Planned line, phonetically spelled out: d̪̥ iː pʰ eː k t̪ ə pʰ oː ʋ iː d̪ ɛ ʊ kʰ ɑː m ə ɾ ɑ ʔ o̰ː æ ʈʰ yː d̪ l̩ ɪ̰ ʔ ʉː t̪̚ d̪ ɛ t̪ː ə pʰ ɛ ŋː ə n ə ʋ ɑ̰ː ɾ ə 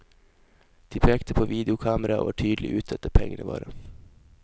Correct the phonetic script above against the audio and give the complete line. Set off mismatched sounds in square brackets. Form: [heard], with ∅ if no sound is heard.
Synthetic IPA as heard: d̪̥ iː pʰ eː k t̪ ə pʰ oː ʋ iː d̪ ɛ ʊ kʰ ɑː m ə ɾ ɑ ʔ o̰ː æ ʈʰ yː d̪ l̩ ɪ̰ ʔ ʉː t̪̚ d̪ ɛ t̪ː ə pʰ ɛ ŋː ə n ə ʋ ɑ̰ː ɾ ə